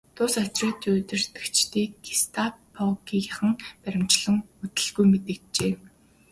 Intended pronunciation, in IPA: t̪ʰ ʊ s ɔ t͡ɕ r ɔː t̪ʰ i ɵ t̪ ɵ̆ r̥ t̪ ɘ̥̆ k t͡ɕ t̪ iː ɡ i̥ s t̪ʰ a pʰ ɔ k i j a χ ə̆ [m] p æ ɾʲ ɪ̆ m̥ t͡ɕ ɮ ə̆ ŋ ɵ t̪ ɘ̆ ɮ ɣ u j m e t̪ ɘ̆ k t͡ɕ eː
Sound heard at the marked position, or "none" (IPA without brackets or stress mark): ŋ